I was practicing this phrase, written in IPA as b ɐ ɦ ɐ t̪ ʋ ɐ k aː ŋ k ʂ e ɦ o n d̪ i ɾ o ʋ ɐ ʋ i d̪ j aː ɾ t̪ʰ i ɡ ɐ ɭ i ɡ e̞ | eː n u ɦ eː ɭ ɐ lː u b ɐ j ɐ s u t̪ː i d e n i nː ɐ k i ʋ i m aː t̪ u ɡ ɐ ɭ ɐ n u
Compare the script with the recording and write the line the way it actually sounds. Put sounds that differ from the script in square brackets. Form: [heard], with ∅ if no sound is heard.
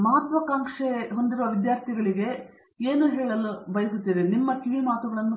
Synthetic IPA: [m] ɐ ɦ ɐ t̪ ʋ ɐ k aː ŋ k ʂ e ɦ o n d̪ i ɾ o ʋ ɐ ʋ i d̪ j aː ɾ t̪ʰ i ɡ ɐ ɭ i ɡ e̞ | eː n u ɦ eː ɭ ɐ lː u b ɐ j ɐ s u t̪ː i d e n i [mː] ɐ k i ʋ i m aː t̪ u ɡ ɐ ɭ ɐ [nː] u